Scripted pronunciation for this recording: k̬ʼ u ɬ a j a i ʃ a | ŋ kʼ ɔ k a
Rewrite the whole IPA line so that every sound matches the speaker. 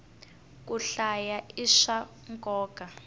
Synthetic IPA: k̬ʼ u ɬ a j a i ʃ a | ŋ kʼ ɔː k a